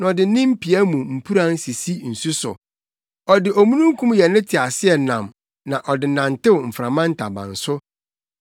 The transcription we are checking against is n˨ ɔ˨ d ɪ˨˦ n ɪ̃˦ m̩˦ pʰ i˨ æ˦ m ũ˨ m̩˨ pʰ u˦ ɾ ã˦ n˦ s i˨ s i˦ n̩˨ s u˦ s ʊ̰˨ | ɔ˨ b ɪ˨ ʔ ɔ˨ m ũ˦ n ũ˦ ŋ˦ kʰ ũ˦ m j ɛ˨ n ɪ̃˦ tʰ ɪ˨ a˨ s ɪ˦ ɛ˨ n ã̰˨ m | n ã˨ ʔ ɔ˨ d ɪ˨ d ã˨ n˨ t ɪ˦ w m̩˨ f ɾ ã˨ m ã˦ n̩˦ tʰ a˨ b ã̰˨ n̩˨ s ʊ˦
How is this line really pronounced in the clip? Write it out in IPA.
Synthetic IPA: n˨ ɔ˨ d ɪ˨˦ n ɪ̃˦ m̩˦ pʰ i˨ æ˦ m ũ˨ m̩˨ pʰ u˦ ɾ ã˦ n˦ s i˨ s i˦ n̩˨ s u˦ s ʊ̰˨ | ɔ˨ d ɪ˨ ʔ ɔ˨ m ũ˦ n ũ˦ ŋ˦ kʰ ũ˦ m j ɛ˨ n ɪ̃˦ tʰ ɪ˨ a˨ s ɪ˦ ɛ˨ n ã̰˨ m | n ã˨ ʔ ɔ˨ d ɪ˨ n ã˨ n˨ t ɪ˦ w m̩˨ f ɾ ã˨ m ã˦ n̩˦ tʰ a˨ b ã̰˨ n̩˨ s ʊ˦